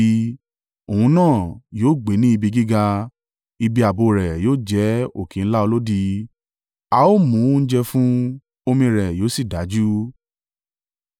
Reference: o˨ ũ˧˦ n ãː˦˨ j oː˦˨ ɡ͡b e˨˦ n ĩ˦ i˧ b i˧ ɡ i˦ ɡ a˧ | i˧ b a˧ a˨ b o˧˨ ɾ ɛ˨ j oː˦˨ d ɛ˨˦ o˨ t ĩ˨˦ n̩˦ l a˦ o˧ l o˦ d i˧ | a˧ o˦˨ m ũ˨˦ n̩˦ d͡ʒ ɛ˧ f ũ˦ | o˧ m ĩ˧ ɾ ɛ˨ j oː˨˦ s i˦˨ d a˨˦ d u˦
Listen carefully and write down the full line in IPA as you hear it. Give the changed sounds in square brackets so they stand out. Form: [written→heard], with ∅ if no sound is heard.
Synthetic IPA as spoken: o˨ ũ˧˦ n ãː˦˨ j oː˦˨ ɡ͡b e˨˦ n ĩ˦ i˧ b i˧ ɡ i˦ ɡ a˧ | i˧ b [a˧→i˧] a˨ b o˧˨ ɾ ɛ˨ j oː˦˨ [d→d͡ʒ] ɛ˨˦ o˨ [t→k] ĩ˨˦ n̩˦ l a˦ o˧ l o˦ d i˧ | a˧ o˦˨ m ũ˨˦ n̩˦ d͡ʒ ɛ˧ f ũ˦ | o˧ m ĩ˧ ɾ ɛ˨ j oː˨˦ s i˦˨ d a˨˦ [d→d͡ʒ] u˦

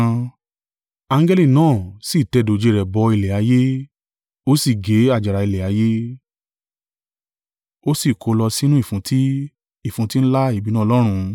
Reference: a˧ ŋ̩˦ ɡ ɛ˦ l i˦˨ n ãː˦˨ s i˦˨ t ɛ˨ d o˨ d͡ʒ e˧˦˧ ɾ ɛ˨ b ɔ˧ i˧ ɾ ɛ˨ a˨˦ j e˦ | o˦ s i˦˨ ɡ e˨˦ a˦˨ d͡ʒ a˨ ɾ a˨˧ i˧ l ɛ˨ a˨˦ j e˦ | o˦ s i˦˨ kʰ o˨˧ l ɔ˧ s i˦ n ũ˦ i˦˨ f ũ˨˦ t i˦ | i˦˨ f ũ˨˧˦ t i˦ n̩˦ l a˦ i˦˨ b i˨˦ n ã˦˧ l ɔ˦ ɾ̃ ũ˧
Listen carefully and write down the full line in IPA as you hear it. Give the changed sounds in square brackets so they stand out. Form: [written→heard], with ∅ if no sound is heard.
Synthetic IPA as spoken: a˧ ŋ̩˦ ɡ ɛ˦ l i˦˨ n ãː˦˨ s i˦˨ t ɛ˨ d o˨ d͡ʒ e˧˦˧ ɾ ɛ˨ b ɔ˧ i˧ [ɾ→l] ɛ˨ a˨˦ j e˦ | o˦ s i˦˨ ɡ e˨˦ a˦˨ d͡ʒ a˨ ɾ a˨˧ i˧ l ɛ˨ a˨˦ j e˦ | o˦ s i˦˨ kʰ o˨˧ l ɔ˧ s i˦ n ũ˦ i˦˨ f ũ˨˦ t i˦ | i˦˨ f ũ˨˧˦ t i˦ n̩˦ l a˦ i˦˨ b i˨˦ n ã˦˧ l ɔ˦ ɾ̃ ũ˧

